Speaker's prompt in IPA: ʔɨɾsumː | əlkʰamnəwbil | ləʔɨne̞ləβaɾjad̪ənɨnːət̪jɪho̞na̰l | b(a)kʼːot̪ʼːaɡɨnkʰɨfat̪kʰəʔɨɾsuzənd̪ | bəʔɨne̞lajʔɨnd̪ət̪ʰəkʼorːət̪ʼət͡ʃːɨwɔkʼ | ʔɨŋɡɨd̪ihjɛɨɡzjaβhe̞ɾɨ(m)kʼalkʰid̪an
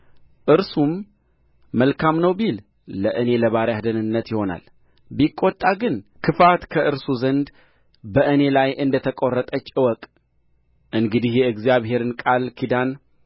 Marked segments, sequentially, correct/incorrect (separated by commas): incorrect, incorrect